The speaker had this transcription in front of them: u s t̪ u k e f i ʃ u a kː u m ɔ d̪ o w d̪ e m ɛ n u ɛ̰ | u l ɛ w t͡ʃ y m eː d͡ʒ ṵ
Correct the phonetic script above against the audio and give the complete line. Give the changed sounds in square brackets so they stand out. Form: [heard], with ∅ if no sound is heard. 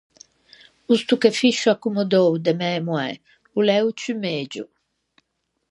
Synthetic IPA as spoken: u s t̪ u k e f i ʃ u a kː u m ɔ d̪ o w d̪ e m ɛ [m] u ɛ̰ | u l ɛ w t͡ʃ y m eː d͡ʒ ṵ

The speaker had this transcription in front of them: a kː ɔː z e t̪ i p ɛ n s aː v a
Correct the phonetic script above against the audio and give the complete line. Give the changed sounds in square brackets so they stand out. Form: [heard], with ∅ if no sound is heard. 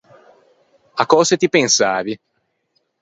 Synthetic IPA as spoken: a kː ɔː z e t̪ i p [e] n s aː v [i]

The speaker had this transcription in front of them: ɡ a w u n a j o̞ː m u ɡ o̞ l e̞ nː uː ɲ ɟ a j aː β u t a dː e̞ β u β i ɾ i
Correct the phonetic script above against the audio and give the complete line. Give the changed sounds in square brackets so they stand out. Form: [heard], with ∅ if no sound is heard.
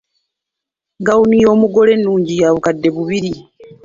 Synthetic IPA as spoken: ɡ a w u n [i] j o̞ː m u ɡ o̞ l e̞ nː uː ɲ ɟ [i] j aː β u [k] a dː e̞ β u β i ɾ i

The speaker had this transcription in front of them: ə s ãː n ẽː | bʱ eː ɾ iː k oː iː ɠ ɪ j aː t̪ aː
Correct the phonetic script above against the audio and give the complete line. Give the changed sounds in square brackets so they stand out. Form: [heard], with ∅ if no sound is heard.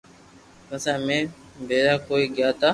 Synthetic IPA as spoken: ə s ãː [m] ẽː | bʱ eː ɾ [aː] k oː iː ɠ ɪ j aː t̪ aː

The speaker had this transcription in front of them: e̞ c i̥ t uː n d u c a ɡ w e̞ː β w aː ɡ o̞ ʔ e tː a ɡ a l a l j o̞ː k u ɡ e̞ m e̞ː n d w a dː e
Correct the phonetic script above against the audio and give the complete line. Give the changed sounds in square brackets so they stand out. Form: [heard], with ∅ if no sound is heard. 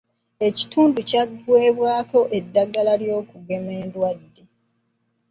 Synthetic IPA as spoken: e̞ c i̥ t uː n d u c a ɡ w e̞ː β w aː [k] o̞ ʔ e [dː] a ɡ a l a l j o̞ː k u ɡ e̞ m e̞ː n d w a dː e

